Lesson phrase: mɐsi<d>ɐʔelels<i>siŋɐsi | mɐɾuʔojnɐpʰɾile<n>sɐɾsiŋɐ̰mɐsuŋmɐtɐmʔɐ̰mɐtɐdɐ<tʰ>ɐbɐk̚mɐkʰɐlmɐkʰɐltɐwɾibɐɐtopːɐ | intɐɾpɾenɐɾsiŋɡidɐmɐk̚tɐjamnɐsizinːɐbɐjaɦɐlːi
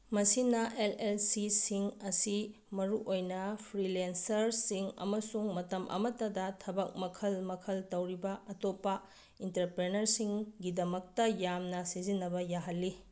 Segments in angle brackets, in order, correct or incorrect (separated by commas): incorrect, correct, correct, correct